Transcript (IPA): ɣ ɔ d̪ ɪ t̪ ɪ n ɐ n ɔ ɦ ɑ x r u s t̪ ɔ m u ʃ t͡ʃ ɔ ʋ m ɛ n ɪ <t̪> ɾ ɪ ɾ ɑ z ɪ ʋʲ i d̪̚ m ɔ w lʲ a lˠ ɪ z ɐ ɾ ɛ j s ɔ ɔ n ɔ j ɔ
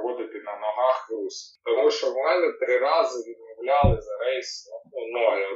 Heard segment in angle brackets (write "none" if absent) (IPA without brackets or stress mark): t̪